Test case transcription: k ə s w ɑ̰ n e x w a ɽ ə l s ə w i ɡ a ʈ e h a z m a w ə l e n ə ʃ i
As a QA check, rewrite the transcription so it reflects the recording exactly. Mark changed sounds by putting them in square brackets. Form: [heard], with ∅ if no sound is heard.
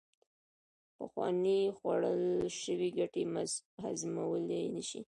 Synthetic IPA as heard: [p] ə [x] w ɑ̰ n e x w a ɽ ə l [ʃ] ə w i ɡ a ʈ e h a z m a w ə l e n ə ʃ i